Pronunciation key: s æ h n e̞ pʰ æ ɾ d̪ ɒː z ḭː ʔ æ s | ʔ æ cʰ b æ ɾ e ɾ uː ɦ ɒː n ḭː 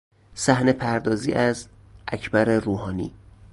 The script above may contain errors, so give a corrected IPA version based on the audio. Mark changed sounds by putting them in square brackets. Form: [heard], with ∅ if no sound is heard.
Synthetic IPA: s æ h n e̞ pʰ æ ɾ d̪ ɒː z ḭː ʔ æ [z] | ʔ æ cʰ b æ ɾ e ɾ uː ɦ ɒː n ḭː

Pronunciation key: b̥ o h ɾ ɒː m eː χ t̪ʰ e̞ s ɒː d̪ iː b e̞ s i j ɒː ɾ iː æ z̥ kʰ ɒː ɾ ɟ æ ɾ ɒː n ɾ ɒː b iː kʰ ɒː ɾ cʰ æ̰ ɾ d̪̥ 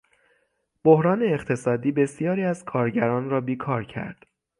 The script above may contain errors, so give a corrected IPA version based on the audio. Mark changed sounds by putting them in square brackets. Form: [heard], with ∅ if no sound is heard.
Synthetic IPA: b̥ o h ɾ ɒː [n] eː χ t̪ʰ e̞ s ɒː d̪ iː b e̞ s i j ɒː ɾ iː æ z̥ kʰ ɒː ɾ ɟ æ ɾ ɒː n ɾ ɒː b iː kʰ ɒː ɾ cʰ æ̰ ɾ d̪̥

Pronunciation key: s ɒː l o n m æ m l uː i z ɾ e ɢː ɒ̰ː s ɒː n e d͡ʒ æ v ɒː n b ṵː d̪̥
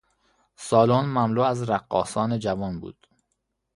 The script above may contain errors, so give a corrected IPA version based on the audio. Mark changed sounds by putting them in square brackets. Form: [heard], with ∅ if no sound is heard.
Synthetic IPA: s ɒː l o n m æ m l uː [æ] z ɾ [æ] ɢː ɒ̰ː s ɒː n e d͡ʒ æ v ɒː n b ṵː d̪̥

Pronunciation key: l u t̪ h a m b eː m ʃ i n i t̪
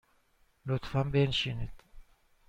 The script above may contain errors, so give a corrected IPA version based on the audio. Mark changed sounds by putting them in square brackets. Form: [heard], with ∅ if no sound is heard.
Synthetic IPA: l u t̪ [f] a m b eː [n] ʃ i n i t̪

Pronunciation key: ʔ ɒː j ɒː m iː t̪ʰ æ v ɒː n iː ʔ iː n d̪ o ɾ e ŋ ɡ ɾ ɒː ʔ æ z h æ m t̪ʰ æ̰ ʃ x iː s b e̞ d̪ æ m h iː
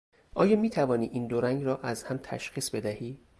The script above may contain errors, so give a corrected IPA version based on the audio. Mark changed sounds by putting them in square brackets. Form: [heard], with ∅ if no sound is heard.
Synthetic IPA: ʔ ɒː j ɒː m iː t̪ʰ æ v ɒː n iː ʔ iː n d̪ o ɾ [æ] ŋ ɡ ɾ ɒː ʔ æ z h æ m t̪ʰ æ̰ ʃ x iː s b e̞ d̪ æ [∅] h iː

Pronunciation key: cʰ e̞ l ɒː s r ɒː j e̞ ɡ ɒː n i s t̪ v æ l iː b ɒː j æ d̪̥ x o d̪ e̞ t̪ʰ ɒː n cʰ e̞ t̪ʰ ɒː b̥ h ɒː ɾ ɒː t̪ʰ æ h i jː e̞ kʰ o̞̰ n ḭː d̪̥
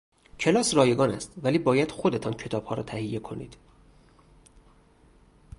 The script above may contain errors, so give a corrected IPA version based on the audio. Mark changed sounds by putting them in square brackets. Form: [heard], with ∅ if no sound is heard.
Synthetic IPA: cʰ e̞ l ɒː s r ɒː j e̞ ɡ ɒː n [æ] s t̪ v æ l iː b ɒː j æ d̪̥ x o d̪ e̞ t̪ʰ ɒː n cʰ e̞ t̪ʰ ɒː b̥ h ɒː ɾ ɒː t̪ʰ æ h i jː e̞ kʰ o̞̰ n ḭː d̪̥

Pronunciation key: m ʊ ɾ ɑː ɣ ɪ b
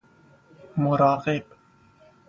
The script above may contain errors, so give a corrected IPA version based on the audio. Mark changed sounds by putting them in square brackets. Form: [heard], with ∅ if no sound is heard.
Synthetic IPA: m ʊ ɾ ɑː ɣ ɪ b

